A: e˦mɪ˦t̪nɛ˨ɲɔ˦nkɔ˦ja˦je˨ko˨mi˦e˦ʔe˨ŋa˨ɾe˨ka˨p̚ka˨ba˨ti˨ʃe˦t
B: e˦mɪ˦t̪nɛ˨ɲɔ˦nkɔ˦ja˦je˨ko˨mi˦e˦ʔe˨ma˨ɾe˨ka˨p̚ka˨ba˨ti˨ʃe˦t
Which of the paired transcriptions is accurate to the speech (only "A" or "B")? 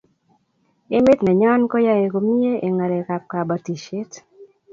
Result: A